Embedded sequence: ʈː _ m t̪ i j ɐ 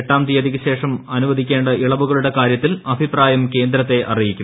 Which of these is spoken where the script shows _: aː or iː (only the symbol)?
aː